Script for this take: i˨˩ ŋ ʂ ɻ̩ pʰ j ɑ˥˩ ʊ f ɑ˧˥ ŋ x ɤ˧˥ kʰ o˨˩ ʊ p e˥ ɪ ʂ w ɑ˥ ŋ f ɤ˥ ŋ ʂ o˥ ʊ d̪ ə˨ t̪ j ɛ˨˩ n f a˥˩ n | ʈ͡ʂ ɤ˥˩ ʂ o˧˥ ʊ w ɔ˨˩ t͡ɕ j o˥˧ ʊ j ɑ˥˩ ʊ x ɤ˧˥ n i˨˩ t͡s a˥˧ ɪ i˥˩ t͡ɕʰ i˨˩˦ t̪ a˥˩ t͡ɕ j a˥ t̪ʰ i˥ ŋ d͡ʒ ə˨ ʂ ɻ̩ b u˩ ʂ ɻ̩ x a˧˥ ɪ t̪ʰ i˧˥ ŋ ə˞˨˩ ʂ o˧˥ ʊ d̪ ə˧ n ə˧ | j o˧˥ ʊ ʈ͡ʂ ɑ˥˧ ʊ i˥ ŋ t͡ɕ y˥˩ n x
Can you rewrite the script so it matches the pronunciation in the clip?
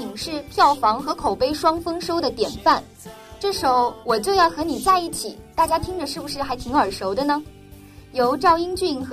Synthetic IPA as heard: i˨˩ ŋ ʂ ɻ̩ pʰ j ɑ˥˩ ʊ f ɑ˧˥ ŋ x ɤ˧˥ kʰ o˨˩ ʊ p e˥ ɪ ʂ w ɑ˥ ŋ f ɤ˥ ŋ ʂ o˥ ʊ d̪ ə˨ t̪ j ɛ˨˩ n f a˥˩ n | ʈ͡ʂ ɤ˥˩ ʂ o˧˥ ʊ w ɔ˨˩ t͡ɕ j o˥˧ ʊ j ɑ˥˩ ʊ x ɤ˧˥ n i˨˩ t͡s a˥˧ ɪ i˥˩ t͡ɕʰ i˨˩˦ t̪ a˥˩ t͡ɕ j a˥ t̪ʰ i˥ ŋ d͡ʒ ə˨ ʂ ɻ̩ b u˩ ʂ ɻ̩ x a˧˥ ɪ t̪ʰ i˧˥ ŋ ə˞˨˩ ʂ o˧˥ ʊ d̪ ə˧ n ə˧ | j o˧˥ ʊ ʈ͡ʂ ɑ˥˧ ʊ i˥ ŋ t͡ɕ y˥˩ n x